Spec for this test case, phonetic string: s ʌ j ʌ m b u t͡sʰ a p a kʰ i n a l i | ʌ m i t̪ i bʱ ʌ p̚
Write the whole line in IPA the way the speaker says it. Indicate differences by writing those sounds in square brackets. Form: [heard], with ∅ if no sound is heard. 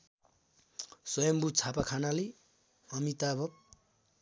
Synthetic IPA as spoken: s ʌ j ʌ m b u t͡sʰ a p a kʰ [a] n a l i | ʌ m i t̪ [a] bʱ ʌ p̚